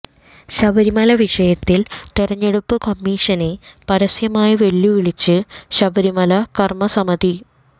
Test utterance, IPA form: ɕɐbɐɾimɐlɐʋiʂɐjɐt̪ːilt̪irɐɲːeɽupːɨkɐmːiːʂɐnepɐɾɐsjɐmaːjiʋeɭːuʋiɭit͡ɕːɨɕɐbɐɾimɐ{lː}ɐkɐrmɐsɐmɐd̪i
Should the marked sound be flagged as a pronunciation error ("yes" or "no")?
yes